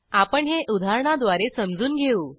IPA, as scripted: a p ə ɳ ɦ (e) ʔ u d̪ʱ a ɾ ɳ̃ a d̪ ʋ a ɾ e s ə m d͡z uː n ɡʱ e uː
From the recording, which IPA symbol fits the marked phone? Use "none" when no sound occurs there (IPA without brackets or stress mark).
e